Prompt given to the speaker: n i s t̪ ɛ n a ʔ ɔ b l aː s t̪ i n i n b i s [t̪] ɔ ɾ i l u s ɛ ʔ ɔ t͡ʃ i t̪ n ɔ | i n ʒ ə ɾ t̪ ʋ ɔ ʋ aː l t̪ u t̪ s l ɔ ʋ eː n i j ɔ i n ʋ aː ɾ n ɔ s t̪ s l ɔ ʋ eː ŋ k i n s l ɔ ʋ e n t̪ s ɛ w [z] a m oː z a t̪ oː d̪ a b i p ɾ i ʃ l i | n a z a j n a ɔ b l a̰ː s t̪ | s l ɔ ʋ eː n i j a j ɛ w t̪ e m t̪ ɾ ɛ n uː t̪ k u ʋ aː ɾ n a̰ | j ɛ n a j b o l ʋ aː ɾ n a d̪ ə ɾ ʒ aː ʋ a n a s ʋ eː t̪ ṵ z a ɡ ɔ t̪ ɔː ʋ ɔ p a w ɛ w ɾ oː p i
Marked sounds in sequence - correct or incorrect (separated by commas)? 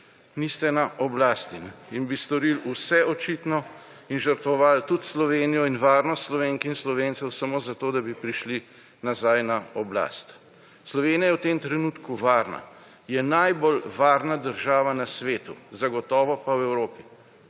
correct, incorrect